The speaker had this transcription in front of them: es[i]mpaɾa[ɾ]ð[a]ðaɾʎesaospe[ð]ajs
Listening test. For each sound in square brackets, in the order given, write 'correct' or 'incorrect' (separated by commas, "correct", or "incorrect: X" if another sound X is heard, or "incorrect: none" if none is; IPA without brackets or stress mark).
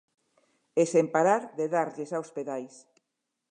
incorrect: e, correct, incorrect: e, correct